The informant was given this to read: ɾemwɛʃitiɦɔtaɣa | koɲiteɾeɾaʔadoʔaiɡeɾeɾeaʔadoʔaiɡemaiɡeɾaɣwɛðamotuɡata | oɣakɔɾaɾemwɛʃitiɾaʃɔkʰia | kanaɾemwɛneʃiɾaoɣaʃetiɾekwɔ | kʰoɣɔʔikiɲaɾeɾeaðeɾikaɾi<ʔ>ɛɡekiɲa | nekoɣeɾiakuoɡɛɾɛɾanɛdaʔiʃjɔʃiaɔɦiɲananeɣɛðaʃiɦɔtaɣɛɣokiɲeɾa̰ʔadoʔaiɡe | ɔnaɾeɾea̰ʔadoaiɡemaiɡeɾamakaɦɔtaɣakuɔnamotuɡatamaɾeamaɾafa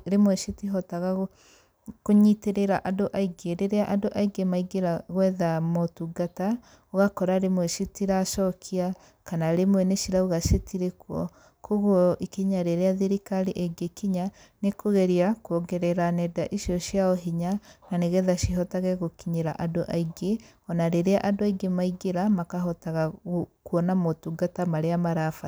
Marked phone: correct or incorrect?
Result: correct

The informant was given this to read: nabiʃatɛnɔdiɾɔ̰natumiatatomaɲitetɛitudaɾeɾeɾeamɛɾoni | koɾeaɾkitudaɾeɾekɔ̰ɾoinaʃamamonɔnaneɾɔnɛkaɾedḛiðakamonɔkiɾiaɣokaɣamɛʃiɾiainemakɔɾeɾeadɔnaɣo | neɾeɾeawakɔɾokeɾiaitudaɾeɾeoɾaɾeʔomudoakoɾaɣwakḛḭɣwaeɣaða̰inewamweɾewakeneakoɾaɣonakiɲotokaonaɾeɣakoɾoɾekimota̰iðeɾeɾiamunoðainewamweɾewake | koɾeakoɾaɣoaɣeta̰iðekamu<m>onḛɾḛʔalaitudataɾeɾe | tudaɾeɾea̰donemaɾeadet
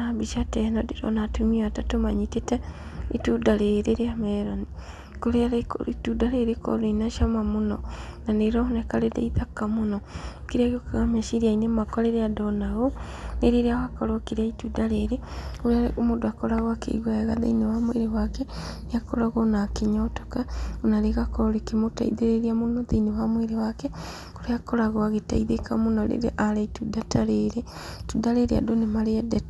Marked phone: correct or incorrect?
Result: incorrect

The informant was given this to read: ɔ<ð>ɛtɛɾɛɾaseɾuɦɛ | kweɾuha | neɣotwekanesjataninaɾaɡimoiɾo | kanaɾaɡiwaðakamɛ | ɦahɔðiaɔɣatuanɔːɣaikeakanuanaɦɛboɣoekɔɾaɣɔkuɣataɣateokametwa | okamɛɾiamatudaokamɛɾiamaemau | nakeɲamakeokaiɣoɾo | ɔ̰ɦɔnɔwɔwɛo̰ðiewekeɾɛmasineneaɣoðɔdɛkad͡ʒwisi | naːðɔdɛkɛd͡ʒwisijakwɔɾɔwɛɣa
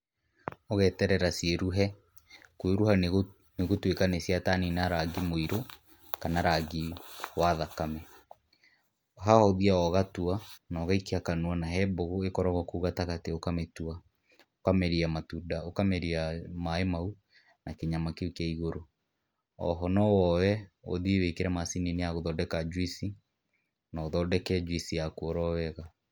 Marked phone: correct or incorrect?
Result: incorrect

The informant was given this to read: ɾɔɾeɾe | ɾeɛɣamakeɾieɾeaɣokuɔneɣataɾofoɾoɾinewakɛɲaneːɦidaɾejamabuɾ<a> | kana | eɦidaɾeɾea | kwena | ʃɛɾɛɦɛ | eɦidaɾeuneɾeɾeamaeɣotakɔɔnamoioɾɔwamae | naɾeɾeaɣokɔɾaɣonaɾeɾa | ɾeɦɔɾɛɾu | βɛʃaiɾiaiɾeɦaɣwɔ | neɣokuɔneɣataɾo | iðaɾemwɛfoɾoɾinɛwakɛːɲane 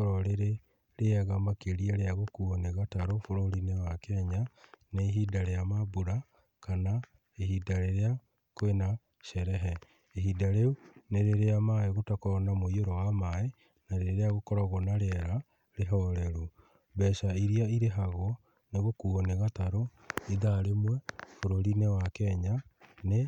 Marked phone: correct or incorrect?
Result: correct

